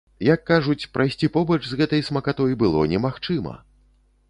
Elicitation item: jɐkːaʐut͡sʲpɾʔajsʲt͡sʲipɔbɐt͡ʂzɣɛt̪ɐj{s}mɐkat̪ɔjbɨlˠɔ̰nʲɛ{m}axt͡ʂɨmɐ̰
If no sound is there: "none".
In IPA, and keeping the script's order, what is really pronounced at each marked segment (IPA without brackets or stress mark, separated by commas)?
s, m